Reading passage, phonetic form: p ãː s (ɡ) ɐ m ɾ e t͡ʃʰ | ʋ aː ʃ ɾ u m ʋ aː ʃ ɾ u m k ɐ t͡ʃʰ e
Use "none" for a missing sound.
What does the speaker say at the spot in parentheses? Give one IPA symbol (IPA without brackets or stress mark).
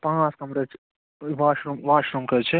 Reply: k